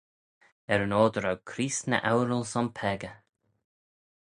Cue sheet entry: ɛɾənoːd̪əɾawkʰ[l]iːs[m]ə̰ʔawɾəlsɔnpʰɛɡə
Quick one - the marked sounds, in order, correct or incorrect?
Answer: incorrect: ɾ, incorrect: n

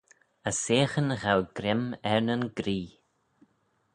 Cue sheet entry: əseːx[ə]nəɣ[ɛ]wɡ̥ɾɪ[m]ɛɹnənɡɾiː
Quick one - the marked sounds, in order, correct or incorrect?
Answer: correct, incorrect: a, correct

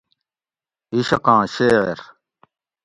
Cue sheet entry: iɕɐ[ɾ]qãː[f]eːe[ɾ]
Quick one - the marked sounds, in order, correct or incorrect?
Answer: incorrect: none, incorrect: ɕ, correct

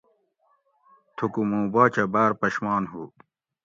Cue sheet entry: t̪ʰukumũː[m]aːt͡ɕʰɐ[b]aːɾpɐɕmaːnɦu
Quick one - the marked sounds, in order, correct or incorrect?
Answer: incorrect: b, correct

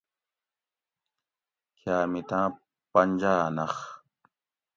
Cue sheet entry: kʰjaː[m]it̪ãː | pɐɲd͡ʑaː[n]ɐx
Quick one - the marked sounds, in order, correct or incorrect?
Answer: correct, correct

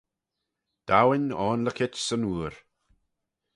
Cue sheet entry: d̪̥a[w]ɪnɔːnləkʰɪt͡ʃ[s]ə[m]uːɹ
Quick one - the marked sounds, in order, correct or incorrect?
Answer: correct, correct, incorrect: n

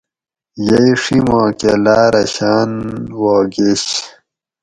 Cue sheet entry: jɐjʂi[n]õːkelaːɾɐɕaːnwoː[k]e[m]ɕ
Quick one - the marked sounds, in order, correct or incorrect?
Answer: incorrect: m, incorrect: ɡ, incorrect: none

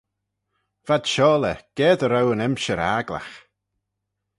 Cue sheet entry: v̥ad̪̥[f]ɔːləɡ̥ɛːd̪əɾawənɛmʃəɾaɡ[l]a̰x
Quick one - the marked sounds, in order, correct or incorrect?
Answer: incorrect: ʃ, correct

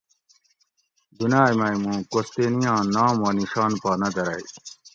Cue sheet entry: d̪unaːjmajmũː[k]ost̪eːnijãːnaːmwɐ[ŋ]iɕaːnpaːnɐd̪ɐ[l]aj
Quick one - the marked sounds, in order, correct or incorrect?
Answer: correct, incorrect: n, incorrect: ɾ

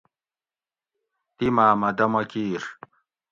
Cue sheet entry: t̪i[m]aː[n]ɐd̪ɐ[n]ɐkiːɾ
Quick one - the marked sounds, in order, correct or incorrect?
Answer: correct, incorrect: m, incorrect: m

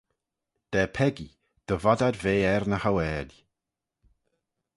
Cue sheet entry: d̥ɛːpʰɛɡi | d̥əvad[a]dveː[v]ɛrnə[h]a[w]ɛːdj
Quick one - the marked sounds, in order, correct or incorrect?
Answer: correct, incorrect: none, correct, correct

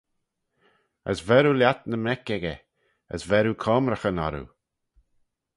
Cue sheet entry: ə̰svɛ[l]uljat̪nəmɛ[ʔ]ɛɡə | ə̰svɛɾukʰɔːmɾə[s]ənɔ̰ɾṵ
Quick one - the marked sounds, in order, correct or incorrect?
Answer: incorrect: ɾ, incorrect: k, incorrect: x

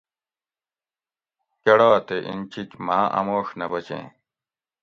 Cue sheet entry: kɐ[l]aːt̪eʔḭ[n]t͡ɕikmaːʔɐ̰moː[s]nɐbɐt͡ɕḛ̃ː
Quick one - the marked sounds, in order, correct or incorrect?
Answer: incorrect: ɽ, correct, incorrect: ʂ

